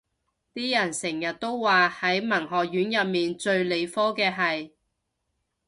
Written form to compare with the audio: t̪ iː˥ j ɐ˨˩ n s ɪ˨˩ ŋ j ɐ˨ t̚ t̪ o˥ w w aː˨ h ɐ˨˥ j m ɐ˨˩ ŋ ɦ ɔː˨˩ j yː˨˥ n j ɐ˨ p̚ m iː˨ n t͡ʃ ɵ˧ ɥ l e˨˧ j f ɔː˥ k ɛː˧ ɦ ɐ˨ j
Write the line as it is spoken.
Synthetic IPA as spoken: t̪ iː˥ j ɐ˨˩ n s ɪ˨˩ ŋ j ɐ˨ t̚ t̪ o˥ w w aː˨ h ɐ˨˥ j m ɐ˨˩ ŋ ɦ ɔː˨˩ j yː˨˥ n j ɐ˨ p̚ m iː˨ n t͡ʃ ɵ˧ ɥ l e˨˧ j f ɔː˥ k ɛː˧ ɦ ɐ˨ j